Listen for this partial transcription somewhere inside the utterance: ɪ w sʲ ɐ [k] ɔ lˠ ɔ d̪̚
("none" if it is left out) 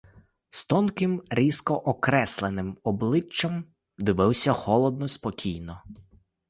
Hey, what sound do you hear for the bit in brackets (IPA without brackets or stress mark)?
x